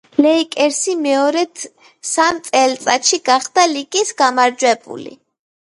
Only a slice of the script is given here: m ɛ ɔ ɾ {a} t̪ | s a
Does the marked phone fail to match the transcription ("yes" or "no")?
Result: yes